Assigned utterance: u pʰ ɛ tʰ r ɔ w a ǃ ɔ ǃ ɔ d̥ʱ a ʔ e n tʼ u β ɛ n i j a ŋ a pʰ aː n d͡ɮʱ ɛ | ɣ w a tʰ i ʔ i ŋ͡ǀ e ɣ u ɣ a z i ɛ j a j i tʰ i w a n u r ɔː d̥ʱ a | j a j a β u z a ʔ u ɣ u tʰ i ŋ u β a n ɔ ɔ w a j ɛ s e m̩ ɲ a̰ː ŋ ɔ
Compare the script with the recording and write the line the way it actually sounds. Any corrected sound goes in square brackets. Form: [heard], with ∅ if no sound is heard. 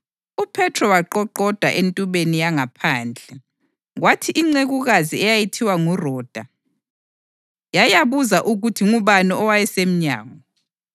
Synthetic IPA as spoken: u pʰ ɛ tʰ r ɔ w a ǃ ɔ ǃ ɔ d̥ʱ a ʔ e n tʼ u β [e] n i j a ŋ a pʰ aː n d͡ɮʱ ɛ | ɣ w a tʰ i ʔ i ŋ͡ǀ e ɣ u ɣ a z i ɛ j a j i tʰ i w a [ŋ] u r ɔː d̥ʱ a | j a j a β u z a ʔ u ɣ u tʰ i ŋ u β a n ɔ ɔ w a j ɛ s e m̩ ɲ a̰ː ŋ ɔ